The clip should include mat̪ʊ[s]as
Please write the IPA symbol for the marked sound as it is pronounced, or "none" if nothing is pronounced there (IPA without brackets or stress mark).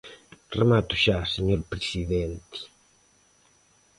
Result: ʃ